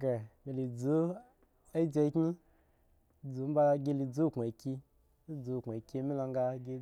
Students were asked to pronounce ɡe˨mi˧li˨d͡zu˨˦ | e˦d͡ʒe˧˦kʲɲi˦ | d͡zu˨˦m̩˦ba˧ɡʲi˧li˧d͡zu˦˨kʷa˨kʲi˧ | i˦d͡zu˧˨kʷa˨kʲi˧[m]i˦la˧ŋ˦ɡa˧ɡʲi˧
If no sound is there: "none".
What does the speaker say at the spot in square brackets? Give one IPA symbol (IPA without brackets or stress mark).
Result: m